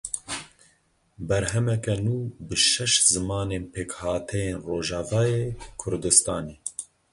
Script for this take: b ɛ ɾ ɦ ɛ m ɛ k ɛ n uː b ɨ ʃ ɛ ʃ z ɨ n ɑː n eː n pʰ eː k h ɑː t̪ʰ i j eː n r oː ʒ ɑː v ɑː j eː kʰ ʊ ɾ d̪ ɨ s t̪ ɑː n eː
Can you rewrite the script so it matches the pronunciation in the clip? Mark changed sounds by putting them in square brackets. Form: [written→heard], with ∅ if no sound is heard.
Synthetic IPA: b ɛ ɾ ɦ ɛ m ɛ k ɛ n uː b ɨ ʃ ɛ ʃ z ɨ [n→m] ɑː n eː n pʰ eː k h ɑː t̪ʰ [i→ɛ] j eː n r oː ʒ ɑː v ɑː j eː kʰ ʊ ɾ d̪ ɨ s t̪ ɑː n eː